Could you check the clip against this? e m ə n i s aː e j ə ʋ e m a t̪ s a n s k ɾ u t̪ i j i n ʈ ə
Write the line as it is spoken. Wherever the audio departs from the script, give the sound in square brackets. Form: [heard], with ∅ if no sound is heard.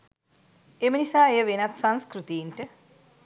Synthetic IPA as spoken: e m ə n i s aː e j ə ʋ e [n] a t̪ s a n s k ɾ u t̪ i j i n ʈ ə

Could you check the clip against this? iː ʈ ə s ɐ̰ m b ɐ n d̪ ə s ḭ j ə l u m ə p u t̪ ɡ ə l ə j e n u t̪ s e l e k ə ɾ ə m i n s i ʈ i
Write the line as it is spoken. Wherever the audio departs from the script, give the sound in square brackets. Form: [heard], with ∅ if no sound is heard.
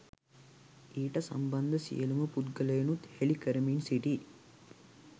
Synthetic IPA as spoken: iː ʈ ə s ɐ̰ m b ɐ n d̪ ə s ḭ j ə l u m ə p u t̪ ɡ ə l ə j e n u t̪ [h] e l [i] k ə ɾ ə m i n s i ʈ i

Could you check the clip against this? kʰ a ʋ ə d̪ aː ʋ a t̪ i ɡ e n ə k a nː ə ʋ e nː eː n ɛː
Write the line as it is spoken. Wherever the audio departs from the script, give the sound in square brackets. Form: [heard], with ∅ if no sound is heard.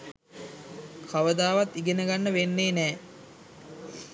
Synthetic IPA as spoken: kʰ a ʋ ə d̪ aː ʋ a t̪ i ɡ e n ə [ɡ] a nː ə ʋ e nː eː n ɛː

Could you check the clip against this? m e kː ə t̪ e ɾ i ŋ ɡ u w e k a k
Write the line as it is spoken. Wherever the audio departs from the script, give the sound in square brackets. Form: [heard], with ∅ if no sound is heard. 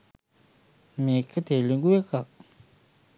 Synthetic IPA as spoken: m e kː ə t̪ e [l] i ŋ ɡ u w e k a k

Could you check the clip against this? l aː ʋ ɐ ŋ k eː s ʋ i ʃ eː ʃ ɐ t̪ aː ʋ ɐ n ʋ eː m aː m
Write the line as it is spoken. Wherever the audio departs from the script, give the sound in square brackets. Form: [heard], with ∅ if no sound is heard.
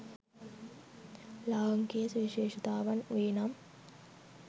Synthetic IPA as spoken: l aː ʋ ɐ ŋ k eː s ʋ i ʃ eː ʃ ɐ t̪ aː ʋ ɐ n ʋ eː [n] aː m

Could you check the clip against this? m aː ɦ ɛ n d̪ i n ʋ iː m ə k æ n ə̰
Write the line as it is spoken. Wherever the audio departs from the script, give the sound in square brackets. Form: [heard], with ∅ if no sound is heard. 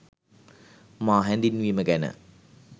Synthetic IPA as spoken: m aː ɦ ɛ n d̪ i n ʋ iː m ə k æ n ə̰

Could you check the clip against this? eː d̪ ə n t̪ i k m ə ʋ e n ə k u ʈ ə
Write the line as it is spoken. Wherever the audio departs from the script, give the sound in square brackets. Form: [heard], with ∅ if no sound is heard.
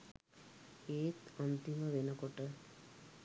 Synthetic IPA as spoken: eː [t̪] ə n t̪ i [∅] m ə ʋ e n ə k [o] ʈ ə

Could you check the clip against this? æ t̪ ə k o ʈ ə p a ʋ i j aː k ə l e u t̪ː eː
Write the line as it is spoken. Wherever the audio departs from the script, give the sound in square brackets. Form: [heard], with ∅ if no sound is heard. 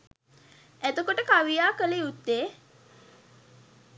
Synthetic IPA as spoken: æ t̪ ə k o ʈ ə [k] a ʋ i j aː k ə l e u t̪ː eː

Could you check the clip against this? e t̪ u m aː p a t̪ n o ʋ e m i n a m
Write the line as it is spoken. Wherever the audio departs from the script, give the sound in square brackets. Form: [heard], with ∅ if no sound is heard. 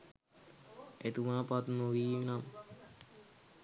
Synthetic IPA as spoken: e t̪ u m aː p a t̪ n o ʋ [i] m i n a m

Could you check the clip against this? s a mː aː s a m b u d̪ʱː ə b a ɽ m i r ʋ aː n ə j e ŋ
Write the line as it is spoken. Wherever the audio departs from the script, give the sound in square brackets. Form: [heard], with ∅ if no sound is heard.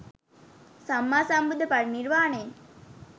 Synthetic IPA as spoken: s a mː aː s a m b u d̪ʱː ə [p] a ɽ [n] i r ʋ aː n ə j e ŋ

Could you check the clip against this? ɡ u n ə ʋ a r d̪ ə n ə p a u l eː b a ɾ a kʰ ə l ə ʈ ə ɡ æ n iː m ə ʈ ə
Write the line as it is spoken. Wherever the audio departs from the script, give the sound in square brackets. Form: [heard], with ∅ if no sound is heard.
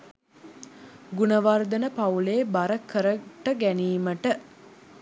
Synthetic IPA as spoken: ɡ u n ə ʋ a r d̪ ə n ə p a u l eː b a ɾ [ə] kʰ ə [ɾ] ə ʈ ə ɡ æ n iː m ə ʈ ə

